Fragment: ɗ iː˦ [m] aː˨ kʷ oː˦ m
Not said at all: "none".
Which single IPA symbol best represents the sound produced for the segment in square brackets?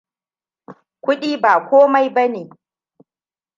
b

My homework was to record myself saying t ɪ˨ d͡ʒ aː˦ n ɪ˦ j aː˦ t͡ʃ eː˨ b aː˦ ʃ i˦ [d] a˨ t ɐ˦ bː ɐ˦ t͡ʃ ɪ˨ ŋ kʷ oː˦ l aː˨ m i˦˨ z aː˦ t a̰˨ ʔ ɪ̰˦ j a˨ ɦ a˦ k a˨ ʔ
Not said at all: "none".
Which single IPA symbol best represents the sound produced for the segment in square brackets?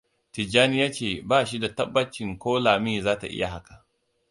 d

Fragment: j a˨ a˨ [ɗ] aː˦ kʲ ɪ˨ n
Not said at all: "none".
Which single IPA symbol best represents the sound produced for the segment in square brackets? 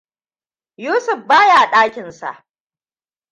ɗ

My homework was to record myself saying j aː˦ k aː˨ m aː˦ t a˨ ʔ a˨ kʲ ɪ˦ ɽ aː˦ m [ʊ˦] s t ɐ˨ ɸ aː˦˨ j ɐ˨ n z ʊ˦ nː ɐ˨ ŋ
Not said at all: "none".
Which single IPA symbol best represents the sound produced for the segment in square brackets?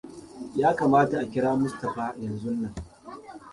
ʊ˦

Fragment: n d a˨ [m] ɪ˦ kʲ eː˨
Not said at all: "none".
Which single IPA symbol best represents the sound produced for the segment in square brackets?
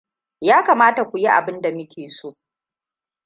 m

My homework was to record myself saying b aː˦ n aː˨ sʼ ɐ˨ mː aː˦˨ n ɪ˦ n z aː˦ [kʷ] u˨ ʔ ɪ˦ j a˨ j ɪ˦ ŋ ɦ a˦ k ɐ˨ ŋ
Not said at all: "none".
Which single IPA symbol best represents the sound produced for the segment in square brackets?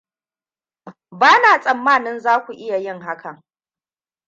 kʷ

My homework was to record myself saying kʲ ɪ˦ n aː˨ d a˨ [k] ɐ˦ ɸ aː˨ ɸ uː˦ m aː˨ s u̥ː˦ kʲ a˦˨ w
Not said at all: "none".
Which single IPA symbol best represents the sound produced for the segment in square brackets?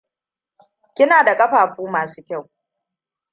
kʼ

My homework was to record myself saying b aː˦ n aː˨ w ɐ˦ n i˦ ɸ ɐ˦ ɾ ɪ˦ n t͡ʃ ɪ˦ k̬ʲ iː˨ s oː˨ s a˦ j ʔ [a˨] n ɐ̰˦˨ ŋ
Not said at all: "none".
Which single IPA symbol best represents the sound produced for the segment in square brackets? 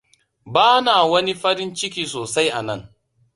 a˨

